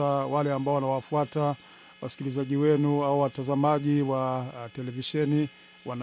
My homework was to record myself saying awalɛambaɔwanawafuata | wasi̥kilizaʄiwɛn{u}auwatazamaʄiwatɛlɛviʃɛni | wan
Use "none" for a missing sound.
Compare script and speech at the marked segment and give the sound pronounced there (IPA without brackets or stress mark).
u